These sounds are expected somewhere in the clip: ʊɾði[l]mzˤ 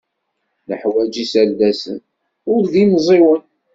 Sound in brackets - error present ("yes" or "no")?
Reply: yes